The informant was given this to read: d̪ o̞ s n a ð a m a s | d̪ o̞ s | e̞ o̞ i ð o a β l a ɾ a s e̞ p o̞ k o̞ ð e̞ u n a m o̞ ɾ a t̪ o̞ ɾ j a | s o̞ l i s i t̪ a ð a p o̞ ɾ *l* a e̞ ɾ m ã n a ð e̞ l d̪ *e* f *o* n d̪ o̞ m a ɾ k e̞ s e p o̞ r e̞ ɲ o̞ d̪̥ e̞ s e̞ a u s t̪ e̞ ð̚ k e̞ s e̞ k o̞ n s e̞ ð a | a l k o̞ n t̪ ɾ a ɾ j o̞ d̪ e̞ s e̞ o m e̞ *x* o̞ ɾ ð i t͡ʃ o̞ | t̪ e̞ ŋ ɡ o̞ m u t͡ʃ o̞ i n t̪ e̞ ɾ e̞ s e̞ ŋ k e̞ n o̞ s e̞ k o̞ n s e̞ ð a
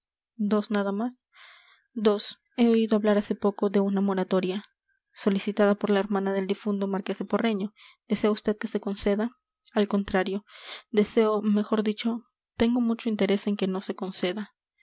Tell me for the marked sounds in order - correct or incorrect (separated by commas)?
correct, incorrect, incorrect, correct